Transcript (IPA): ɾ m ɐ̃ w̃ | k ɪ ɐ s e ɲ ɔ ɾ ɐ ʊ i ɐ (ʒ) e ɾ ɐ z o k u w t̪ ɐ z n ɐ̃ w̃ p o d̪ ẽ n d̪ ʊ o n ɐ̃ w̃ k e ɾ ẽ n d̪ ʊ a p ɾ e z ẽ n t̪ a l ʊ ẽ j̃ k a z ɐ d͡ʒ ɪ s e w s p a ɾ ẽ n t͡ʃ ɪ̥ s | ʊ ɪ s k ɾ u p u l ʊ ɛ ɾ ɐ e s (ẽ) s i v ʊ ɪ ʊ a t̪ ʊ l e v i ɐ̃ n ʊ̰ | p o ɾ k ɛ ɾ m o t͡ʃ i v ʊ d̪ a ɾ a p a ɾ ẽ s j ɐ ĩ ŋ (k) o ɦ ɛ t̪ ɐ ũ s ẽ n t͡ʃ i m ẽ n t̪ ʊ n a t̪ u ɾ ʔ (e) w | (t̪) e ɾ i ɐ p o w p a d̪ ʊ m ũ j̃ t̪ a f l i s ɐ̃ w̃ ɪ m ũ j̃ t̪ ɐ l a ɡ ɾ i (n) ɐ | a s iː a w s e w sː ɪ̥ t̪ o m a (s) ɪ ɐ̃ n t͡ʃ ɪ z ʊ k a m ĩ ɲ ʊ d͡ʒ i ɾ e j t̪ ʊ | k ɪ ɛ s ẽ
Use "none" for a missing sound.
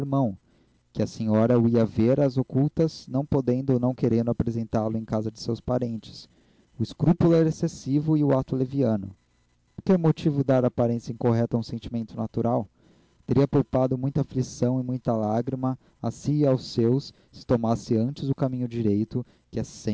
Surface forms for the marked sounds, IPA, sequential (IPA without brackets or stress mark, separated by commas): v, e, k, a, t̪, m, s